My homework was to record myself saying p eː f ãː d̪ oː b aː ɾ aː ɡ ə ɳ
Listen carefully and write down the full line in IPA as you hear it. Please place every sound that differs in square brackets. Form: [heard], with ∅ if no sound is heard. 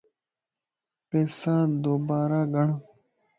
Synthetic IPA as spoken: p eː [s] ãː d̪ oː b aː ɾ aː ɡ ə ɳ